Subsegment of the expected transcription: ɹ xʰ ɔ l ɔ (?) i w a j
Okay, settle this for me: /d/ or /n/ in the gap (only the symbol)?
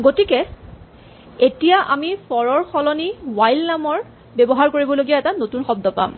n